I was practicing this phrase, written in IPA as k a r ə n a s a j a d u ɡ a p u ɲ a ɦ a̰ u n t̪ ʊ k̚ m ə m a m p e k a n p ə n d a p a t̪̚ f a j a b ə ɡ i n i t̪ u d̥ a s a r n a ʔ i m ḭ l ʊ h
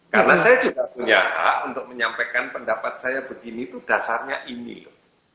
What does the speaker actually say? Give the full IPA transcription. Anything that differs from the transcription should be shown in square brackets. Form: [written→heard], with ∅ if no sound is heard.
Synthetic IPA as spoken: k a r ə n a s a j a [d→d͡ʒ] u ɡ a p u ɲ a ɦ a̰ u n t̪ ʊ k̚ m ə [m→ɲ] a m p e k a n p ə n d a p a t̪̚ [f→s] a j a b ə ɡ i n i t̪ u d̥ a s a r [n→ɲ] a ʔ i [m→n] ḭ l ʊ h